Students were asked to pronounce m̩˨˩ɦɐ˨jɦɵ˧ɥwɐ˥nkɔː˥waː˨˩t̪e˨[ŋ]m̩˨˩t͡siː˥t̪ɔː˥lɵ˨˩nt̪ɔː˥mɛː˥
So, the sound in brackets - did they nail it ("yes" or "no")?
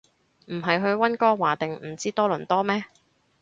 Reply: yes